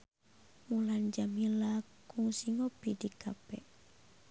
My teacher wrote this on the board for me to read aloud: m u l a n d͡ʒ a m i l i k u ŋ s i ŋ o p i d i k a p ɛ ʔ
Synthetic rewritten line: m u l a n d͡ʒ a m i l a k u ŋ s i ŋ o p i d i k a p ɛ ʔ